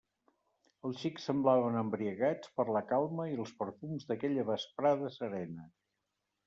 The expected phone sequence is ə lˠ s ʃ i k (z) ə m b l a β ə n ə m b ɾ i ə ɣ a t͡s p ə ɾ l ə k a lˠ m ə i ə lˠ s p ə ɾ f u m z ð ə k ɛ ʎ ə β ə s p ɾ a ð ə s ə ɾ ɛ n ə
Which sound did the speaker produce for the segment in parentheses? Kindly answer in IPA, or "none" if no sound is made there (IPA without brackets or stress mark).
s